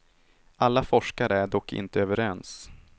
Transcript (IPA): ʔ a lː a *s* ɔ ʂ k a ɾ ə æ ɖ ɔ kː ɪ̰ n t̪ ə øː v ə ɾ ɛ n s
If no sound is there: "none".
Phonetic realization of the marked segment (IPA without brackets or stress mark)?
f